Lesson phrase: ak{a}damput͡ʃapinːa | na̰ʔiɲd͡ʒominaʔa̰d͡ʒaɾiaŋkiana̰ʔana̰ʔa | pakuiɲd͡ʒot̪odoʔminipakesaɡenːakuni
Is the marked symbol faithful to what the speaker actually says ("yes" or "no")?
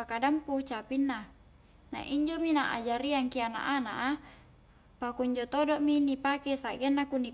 yes